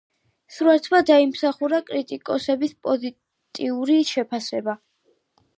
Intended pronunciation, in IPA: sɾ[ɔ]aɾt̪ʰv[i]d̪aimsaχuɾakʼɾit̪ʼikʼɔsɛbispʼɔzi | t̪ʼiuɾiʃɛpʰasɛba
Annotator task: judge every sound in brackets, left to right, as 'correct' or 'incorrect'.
incorrect: u, incorrect: a

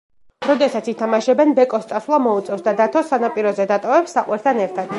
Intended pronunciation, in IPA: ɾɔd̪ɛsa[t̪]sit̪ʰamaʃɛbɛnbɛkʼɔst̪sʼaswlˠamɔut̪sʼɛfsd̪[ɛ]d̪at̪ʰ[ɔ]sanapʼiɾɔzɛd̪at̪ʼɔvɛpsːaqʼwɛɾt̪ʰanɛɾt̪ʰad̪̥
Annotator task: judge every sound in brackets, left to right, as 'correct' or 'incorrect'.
correct, incorrect: a, correct

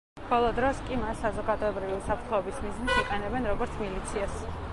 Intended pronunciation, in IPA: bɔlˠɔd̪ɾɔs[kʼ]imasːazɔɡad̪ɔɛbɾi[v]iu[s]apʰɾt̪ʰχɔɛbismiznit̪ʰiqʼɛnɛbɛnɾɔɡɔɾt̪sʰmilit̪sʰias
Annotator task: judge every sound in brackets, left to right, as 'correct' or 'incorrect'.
correct, correct, correct

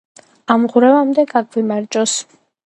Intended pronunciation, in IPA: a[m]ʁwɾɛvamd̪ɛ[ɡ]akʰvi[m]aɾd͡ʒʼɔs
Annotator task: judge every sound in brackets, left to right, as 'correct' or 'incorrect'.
correct, correct, correct

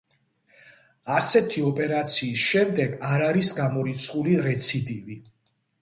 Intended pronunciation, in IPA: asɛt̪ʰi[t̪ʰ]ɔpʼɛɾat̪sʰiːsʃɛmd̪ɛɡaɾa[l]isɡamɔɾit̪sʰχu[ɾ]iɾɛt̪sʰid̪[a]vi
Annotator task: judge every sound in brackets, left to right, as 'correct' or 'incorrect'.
incorrect: none, incorrect: ɾ, incorrect: l, incorrect: i

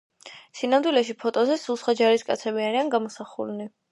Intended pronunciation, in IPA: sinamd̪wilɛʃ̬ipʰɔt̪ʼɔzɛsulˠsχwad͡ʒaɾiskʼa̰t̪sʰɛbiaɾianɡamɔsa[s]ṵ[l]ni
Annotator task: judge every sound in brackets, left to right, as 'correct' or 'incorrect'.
incorrect: χ, correct

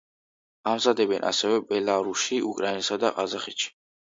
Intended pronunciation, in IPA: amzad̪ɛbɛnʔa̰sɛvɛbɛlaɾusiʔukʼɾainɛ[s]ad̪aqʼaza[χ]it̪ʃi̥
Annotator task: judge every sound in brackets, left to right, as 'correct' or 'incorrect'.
correct, correct

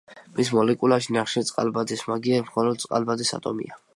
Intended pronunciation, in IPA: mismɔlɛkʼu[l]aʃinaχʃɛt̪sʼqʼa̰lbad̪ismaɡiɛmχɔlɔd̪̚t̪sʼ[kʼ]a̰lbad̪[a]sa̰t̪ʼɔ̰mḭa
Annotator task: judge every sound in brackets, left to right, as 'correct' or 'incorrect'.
correct, incorrect: qʼ, incorrect: i

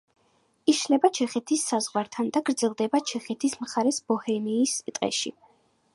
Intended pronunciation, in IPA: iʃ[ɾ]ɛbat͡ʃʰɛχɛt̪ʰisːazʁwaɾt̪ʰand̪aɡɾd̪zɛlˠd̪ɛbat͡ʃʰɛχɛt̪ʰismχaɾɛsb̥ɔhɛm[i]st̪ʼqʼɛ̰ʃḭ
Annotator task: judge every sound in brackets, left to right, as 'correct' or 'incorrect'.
incorrect: l, incorrect: iː

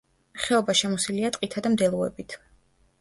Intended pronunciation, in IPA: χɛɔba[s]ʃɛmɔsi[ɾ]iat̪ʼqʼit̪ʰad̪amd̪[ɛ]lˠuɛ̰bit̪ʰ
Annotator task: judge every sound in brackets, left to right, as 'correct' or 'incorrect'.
incorrect: none, incorrect: l, correct

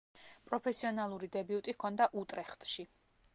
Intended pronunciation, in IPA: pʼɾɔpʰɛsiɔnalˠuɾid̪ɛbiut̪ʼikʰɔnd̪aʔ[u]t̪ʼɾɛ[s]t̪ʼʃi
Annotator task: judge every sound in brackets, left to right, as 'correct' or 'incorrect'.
correct, incorrect: χ

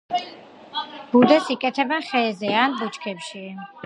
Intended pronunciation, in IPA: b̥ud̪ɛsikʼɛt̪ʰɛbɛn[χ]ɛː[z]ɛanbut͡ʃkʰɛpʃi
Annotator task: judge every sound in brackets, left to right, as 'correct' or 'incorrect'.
correct, correct

